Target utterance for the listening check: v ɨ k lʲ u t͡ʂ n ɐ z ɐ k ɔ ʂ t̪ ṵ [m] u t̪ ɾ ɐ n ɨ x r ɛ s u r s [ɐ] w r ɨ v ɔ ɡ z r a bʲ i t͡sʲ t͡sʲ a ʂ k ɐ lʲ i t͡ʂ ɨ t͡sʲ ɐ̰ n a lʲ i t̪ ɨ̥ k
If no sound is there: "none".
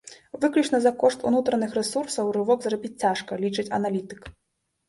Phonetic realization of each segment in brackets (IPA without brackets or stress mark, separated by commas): n, ɐ